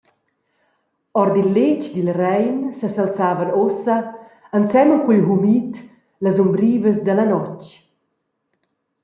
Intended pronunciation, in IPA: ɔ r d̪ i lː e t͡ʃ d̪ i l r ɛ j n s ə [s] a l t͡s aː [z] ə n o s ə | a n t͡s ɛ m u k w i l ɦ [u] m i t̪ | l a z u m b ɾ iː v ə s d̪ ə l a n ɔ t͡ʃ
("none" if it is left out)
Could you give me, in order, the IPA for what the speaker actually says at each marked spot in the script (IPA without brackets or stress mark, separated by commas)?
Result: s, v, u